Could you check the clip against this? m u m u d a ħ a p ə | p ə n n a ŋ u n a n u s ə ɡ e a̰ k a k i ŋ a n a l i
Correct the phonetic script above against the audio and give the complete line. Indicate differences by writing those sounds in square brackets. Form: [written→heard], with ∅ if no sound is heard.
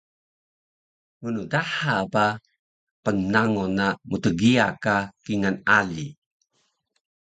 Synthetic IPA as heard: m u [m→n] u d a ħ a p [ə→a] | p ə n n a ŋ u n a [n→m] u [s→t] ə ɡ [e→i] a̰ k a k i ŋ a n a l i